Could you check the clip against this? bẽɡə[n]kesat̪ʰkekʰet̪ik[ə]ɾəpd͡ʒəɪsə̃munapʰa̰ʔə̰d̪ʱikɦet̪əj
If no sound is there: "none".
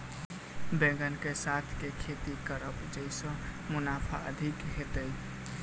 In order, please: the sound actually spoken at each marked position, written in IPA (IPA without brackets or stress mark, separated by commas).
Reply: n, ə